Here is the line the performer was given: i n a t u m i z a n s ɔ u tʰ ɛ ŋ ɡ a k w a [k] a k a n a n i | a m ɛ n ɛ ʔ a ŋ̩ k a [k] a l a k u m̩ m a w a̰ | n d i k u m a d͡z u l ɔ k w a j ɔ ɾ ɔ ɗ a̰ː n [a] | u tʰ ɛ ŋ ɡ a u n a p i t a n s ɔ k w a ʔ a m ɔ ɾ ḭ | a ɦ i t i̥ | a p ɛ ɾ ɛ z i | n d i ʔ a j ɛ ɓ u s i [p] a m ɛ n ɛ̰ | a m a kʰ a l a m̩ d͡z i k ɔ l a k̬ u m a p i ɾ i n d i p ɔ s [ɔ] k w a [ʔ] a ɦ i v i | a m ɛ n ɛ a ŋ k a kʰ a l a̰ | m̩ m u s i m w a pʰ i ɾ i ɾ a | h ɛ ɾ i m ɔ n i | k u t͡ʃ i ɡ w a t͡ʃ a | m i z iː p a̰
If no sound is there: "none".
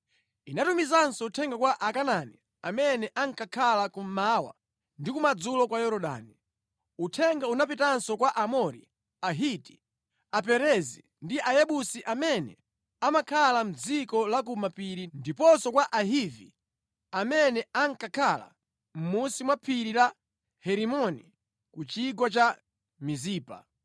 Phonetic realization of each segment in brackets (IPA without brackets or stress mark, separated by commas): ʔ, kʰ, i, ʔ, ɔ, ʔ